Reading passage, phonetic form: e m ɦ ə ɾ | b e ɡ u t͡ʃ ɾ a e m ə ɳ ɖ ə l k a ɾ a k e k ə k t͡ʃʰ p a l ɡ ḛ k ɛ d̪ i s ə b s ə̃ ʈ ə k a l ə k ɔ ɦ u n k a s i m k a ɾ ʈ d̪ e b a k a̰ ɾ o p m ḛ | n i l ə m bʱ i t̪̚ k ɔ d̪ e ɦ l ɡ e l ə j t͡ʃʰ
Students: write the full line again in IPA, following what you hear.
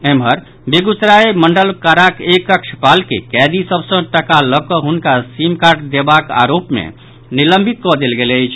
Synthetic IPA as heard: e m ɦ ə ɾ | b e ɡ u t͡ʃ ɾ a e m ə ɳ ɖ ə l k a ɾ a k e k ə k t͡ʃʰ p a l k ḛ k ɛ d̪ i s ə b s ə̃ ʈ ə k a l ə k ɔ ɦ u n k a s i m k a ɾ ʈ d̪ e b a k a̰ ɾ o p m ḛ | n i l ə m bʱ i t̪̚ k ɔ d̪ e l ɡ e l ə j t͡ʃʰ